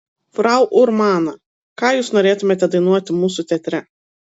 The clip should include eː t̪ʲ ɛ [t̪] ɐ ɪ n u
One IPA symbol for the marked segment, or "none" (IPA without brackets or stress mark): d̪